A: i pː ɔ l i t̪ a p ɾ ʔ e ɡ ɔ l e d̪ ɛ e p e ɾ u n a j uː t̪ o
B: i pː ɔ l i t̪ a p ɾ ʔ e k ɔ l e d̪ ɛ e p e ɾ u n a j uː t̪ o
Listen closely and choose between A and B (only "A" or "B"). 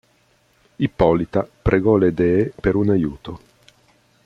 A